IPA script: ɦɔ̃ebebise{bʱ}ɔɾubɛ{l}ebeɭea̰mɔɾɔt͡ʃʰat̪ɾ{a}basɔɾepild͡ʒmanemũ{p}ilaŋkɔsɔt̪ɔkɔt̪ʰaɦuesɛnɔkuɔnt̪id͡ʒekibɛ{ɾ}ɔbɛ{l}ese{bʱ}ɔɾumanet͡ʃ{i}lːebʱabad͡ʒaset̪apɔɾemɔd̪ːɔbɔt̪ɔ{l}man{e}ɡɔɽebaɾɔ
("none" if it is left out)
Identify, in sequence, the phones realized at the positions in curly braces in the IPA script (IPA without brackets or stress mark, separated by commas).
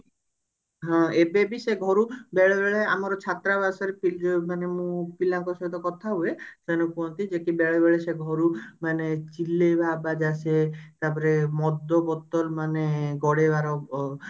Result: ɡʱ, ɭ, a, p, ɭ, ɭ, ɡʱ, i, l, e